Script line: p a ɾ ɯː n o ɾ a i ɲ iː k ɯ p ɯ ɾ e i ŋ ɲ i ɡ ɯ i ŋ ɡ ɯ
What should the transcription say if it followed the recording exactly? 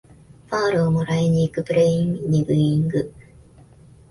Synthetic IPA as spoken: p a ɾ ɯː m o ɾ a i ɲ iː k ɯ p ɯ ɾ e i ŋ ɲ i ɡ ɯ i ŋ ɡ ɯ